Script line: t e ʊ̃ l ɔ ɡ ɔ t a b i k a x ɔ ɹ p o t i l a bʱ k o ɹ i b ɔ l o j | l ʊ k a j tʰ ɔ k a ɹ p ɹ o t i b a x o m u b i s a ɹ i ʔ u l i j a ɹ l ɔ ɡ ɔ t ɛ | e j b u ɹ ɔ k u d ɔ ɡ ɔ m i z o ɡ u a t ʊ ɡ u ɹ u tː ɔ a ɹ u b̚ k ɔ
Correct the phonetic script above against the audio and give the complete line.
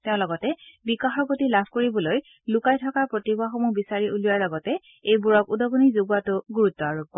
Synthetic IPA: t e ʊ̃ l ɔ ɡ ɔ t ɛ b i k a x ɔ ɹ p o t i l a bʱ k o ɹ i b ɔ l o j | l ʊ k a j tʰ ɔ k a ɹ p ɹ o t i b a x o m u b i s a ɹ i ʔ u l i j a ɹ l ɔ ɡ ɔ t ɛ | e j b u ɹ ɔ k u d ɔ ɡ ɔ n i z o ɡ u a t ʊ ɡ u ɹ u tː ɔ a ɹ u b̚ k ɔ